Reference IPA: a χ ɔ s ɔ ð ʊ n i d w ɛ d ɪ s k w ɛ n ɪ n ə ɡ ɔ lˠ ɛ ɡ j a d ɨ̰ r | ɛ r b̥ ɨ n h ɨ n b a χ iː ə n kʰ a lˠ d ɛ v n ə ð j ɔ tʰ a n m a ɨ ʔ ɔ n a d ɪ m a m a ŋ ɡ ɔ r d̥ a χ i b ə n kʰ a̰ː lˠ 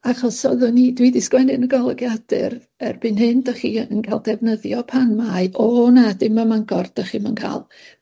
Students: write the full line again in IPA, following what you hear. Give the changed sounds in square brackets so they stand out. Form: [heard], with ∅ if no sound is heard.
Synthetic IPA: a χ ɔ s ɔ ð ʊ n i d w [i] d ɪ s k w ɛ n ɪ n ə ɡ ɔ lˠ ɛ ɡ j a d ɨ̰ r | ɛ r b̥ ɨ n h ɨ n [d] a χ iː ə n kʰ a lˠ d ɛ v n ə ð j ɔ [pʰ] a n m a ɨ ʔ ɔ n a d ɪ m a m a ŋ ɡ ɔ r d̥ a χ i [m] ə n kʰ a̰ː lˠ

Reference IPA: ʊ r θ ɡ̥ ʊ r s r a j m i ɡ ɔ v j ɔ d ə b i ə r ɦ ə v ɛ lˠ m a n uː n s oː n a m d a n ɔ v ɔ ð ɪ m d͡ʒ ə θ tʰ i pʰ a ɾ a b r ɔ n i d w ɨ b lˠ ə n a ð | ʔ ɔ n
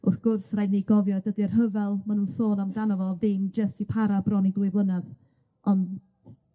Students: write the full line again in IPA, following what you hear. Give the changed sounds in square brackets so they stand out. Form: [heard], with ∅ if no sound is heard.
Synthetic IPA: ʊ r θ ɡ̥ ʊ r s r a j [n] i ɡ ɔ v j ɔ d ə [d] i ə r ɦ ə v ɛ lˠ m a n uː n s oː n a m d a n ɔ v ɔ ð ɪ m d͡ʒ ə [s] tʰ i pʰ a ɾ a b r ɔ n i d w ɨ b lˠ ə n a ð | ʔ ɔ n

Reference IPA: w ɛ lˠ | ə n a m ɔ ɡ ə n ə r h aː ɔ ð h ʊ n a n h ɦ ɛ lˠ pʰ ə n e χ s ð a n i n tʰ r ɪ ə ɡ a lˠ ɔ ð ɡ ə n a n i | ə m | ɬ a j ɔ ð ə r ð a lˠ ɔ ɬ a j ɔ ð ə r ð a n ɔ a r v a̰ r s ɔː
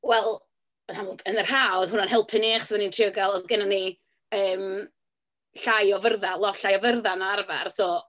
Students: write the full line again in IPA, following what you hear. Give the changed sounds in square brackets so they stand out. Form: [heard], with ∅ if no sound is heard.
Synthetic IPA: w ɛ lˠ | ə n a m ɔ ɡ ə n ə r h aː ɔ ð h ʊ n a n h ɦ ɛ lˠ pʰ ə n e χ s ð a n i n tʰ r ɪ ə ɡ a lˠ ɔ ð ɡ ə n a n i | [əː] m | ɬ a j ɔ [v] ə r ð a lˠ ɔ ɬ a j ɔ [v] ə r ð a n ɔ a r v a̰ r s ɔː

